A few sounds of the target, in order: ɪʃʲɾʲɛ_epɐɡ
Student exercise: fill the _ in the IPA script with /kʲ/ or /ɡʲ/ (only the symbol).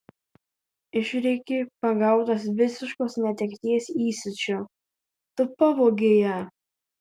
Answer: kʲ